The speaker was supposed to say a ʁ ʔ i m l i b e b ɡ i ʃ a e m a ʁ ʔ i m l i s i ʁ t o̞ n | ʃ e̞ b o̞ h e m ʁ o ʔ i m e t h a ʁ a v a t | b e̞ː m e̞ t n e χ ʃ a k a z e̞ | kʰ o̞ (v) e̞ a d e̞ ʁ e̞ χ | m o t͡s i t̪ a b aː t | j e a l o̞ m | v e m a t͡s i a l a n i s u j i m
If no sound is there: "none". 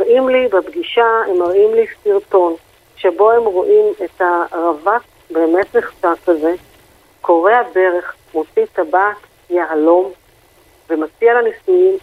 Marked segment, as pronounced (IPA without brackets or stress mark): ʁ